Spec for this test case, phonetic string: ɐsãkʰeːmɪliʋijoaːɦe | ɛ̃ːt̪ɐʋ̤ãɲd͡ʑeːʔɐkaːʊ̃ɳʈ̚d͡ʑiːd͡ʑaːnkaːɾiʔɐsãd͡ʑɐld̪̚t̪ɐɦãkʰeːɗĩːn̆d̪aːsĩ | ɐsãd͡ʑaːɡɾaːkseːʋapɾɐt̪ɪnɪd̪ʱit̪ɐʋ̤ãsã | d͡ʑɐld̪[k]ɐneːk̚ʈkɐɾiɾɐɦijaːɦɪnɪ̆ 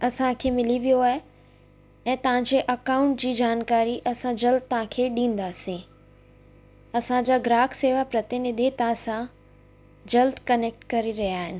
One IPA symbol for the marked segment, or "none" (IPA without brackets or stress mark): k